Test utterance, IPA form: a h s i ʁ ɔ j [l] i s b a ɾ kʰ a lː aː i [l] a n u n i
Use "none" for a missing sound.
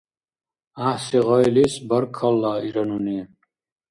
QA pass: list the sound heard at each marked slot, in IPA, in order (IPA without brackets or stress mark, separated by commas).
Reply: l, ɾ